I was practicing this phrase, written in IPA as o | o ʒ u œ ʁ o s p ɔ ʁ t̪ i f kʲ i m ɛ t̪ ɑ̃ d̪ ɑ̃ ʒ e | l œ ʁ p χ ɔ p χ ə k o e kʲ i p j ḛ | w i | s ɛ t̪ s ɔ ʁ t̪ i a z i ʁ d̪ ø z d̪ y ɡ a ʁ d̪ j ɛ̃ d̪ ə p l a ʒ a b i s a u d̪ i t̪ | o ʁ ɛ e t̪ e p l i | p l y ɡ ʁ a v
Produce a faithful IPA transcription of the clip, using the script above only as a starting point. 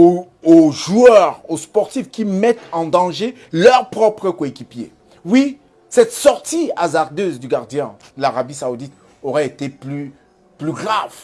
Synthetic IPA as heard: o | o ʒ u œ ʁ o s p ɔ ʁ t̪ i f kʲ i m ɛ t̪ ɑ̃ d̪ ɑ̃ ʒ e | l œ ʁ p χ ɔ p χ ə k o e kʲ i p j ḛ | w i | s ɛ t̪ s ɔ ʁ t̪ i a z a ʁ d̪ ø z d̪ y ɡ a ʁ d̪ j ɛ̃ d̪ ə l a ʁ a b i s a u d̪ i t̪ | o ʁ ɛ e t̪ e p l y | p l y ɡ ʁ a v